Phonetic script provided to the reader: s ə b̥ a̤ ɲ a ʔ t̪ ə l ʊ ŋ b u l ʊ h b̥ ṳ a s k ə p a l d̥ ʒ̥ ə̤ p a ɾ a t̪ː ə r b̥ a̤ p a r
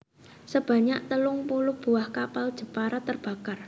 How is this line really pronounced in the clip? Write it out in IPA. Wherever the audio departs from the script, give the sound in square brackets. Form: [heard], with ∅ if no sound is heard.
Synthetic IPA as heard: s ə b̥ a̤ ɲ a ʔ t̪ ə l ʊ ŋ [p] u l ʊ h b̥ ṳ a [h] k [a] p a l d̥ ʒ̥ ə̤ p a ɾ a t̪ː ə r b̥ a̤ [k] a r